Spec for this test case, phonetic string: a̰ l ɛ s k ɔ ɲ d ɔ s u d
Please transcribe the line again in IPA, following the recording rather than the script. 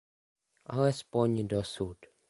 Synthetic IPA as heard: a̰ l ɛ s p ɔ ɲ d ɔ s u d

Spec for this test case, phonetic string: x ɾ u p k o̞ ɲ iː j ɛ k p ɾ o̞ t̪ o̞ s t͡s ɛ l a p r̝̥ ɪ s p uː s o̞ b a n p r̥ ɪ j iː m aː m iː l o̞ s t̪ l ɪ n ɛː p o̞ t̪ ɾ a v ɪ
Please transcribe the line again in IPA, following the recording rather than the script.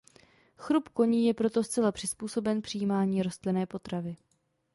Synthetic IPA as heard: x ɾ u p k o̞ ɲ iː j ɛ p ɾ o̞ t̪ o̞ s t͡s ɛ l a p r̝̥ ɪ s p uː s o̞ b ɛ n p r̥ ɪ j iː m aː ɲ iː ɾ o̞ s t̪ l ɪ n ɛː p o̞ t̪ ɾ a v ɪ

